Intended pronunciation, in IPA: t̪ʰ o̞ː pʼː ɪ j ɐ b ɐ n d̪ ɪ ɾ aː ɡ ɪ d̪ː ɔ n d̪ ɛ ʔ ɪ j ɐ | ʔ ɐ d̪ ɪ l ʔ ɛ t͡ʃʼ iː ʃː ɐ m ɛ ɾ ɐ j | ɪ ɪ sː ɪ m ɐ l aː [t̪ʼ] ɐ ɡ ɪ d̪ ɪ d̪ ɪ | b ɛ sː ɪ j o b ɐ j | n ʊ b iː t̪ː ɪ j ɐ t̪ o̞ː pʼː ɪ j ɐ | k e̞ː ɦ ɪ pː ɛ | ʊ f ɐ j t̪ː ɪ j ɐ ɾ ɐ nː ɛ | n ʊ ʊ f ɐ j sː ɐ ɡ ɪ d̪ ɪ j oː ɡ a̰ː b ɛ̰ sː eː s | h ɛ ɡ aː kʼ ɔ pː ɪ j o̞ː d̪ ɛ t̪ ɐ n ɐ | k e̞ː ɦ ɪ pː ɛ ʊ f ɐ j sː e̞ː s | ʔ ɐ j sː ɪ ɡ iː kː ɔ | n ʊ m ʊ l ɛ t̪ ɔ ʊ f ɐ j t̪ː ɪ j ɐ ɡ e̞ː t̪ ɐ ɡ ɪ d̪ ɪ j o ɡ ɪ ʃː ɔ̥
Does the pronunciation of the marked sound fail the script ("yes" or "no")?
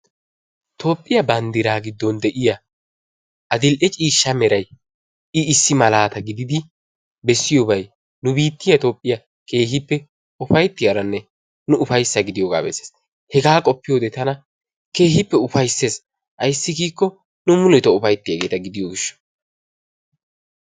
yes